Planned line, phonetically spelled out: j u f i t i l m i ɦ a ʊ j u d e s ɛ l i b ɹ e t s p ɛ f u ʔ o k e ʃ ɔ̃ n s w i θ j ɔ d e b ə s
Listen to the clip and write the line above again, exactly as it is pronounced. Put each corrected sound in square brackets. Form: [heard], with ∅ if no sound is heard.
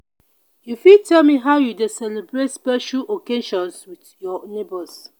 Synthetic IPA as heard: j u f i t [ɛ] l m i ɦ a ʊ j u d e s ɛ l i b ɹ e t s p ɛ [ʃ] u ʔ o k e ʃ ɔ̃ n s w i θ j ɔ [n] e b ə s